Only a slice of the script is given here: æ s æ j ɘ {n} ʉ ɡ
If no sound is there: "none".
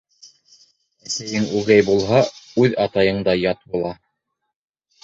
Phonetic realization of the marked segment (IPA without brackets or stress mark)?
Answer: ŋ